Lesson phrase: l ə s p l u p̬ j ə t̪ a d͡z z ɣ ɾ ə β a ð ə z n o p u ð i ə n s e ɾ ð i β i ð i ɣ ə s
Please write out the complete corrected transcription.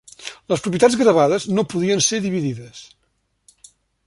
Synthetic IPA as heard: l ə s p ɾ u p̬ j ə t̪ a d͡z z ɣ ɾ ə β a ð ə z n o p u ð i ə n s e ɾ ð i β i ð i ð ə s